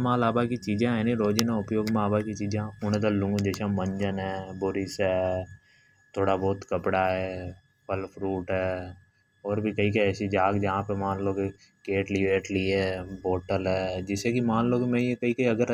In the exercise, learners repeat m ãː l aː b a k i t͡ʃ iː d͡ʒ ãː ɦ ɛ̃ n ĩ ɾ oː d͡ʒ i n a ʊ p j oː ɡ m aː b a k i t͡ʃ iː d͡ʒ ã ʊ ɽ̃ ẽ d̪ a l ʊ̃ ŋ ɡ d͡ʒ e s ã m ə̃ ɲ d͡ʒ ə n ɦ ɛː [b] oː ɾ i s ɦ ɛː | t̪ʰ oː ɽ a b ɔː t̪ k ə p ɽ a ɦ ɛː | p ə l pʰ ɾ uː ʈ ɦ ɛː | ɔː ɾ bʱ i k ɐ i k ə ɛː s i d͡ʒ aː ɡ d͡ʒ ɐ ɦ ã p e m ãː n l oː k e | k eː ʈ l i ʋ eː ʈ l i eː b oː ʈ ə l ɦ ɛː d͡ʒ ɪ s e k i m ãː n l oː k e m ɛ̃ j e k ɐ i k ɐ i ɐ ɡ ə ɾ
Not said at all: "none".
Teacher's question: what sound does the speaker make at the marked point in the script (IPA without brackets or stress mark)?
b